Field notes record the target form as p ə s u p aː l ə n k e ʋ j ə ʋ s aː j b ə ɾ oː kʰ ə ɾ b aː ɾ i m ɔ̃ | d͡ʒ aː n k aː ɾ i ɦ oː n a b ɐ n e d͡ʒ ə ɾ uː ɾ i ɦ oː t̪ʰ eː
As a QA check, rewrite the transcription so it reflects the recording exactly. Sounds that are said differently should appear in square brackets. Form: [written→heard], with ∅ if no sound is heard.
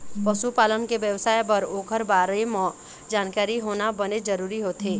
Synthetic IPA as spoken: p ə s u p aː l ə n k e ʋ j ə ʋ s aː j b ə ɾ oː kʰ ə ɾ b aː ɾ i m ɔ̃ | d͡ʒ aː n k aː ɾ i ɦ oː n a b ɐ n e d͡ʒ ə ɾ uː ɾ i ɦ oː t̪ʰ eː